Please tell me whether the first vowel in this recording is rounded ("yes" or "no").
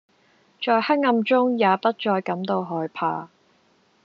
yes